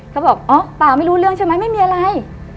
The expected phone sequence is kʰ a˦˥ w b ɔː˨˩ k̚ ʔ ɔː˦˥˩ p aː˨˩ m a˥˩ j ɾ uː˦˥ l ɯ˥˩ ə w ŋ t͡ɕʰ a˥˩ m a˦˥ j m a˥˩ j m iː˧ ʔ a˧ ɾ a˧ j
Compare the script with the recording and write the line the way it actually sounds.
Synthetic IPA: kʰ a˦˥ w b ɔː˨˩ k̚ ʔ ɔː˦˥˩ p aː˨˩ m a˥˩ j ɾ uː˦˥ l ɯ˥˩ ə ŋ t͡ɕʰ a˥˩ m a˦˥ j m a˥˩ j m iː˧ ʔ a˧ ɾ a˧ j

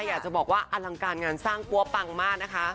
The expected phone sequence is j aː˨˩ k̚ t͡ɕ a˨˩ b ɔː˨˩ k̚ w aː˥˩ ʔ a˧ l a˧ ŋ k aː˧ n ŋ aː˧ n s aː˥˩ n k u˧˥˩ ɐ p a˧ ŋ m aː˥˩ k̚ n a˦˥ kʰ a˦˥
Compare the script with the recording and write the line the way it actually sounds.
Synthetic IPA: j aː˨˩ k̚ t͡ɕ a˨˩ b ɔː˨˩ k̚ w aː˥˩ ʔ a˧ l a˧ ŋ k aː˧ n ŋ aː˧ n s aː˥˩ ŋ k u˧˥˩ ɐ p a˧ ŋ m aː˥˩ k̚ n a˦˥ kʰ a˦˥

